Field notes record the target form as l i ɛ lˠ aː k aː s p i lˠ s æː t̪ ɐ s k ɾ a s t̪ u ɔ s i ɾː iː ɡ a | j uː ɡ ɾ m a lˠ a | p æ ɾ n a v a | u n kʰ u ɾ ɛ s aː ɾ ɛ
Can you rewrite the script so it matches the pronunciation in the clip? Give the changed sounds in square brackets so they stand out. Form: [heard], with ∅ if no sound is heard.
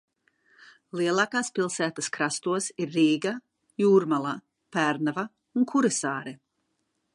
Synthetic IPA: l i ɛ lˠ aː k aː s p i lˠ s æː t̪ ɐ s k ɾ a s t̪ u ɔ s i ɾː iː ɡ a | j uː [∅] ɾ m a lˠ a | p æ ɾ n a v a | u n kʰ u ɾ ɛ s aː ɾ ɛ